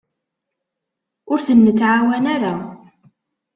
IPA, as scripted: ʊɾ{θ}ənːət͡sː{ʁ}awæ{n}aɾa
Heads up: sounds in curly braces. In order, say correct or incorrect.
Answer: correct, incorrect, correct

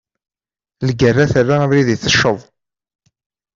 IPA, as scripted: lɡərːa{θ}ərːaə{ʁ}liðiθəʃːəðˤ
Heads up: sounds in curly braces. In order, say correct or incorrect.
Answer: correct, incorrect

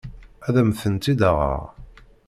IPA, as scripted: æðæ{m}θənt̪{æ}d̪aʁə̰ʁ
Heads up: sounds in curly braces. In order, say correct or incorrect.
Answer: correct, incorrect

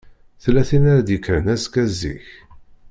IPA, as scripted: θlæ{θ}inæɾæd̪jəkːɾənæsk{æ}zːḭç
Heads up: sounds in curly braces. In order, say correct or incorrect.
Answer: correct, correct

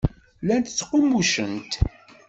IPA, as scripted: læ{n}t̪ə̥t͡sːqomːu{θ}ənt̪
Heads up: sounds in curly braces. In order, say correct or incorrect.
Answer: correct, incorrect

